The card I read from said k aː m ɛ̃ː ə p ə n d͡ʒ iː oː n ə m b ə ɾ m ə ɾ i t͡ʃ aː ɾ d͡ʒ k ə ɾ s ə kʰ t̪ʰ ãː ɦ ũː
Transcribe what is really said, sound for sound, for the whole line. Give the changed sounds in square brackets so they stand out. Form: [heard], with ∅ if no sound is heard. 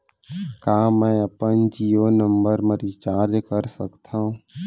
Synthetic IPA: k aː m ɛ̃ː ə p ə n d͡ʒ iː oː n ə m b ə ɾ m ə ɾ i t͡ʃ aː ɾ d͡ʒ k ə ɾ s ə [k] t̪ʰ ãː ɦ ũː